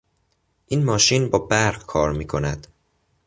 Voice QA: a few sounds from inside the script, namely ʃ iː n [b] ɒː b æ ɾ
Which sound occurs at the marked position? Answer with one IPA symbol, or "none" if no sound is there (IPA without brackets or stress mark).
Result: b